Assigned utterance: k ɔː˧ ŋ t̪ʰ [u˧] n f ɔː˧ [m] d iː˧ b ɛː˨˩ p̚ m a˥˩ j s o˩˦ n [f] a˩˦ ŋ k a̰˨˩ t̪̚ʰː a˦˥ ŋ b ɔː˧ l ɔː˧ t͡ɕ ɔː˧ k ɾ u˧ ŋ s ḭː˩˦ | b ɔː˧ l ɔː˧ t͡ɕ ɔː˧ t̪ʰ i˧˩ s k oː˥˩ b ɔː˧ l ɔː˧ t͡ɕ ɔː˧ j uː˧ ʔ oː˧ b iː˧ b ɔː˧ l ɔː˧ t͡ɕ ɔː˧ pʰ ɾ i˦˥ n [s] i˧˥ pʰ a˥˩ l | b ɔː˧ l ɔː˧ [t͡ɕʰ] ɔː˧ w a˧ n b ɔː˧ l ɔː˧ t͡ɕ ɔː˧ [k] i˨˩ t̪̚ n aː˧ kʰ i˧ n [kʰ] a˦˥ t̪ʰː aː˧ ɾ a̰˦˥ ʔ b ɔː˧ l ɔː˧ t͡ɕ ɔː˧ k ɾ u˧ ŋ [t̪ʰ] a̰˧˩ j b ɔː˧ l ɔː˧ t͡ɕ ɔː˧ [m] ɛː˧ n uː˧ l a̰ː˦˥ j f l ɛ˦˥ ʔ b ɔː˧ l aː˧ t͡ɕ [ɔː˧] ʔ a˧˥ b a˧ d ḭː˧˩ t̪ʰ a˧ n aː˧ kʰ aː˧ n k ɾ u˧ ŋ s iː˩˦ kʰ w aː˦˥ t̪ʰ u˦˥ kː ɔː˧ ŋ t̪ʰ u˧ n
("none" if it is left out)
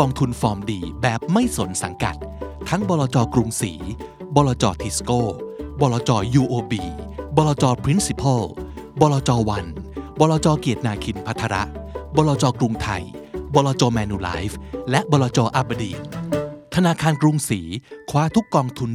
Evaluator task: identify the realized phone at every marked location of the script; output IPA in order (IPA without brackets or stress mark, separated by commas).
u˧, m, s, s, t͡ɕ, k, pʰ, t̪ʰ, m, ɔː˧